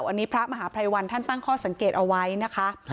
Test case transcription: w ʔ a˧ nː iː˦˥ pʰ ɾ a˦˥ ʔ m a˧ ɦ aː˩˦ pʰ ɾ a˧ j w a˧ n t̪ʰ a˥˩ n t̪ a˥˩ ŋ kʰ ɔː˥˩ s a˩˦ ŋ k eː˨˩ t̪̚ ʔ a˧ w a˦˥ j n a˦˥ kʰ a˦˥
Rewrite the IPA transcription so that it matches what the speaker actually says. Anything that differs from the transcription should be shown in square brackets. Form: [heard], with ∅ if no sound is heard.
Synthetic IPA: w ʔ a˧ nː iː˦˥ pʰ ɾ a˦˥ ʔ m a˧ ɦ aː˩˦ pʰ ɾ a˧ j w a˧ n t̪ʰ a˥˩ n t̪ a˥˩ ŋ kʰ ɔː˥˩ s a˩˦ ŋ k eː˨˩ t̪̚ ʔ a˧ w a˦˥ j n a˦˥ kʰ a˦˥